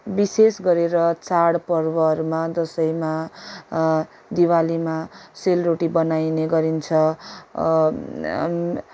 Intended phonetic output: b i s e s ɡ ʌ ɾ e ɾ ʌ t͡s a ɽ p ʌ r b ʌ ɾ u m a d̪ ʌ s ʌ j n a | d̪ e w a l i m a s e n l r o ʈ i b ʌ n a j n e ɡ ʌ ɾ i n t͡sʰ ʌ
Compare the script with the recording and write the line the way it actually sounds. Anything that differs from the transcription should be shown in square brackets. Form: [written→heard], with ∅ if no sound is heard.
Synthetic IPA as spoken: b i s e s ɡ ʌ ɾ e ɾ ʌ t͡s a ɽ p ʌ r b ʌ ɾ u m a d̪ ʌ s ʌ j [n→m] a | d̪ [e→i] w a l i m a s e [n→∅] l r o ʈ i b ʌ n a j n e ɡ ʌ ɾ i n t͡sʰ ʌ